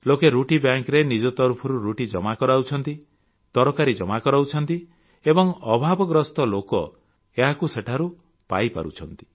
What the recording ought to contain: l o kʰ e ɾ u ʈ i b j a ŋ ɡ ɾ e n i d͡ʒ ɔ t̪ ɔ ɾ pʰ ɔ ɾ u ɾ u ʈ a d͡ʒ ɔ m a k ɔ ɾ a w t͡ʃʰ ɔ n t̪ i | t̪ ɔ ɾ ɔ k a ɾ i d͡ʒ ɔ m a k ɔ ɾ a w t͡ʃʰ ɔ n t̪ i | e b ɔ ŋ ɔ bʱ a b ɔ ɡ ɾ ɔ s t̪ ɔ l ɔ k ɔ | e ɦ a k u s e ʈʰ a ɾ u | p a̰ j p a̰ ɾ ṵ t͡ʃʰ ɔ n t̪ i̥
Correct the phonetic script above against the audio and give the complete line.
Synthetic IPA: l o k e ɾ u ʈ i b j a ŋ k ɾ e n i d͡ʒ ɔ t̪ ɔ ɾ pʰ ɔ ɾ u ɾ u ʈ i d͡ʒ ɔ m a k ɔ ɾ a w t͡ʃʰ ɔ n t̪ i | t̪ ɔ ɾ ɔ k a ɾ i d͡ʒ ɔ m a k ɔ ɾ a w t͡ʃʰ ɔ n t̪ i | e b ɔ ŋ ɔ bʱ a b ɔ ɡ ɾ ɔ s t̪ ɔ l o k ɔ | e ɦ a k u s e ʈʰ a ɾ u | p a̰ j p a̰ ɾ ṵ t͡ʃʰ ɔ n t̪ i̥